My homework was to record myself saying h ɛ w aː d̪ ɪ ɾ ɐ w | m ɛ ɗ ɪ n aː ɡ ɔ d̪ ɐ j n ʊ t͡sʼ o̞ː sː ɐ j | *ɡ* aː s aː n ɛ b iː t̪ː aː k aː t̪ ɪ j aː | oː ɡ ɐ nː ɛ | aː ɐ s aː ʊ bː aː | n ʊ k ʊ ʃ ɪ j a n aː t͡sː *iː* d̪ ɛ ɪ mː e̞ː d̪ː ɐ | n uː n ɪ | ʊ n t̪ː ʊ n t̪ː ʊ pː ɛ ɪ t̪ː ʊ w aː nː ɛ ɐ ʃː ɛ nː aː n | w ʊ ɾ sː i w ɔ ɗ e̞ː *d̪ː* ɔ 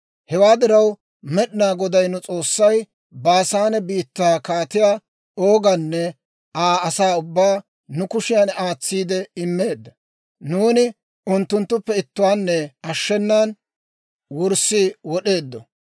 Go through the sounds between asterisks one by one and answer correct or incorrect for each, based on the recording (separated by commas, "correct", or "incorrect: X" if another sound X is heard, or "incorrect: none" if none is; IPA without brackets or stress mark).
incorrect: b, correct, correct